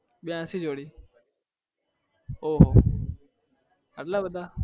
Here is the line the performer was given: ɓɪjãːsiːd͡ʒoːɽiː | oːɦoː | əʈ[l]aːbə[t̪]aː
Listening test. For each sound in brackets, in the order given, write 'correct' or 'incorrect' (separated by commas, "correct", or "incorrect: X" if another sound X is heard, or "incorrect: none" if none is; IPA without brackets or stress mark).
correct, incorrect: d̪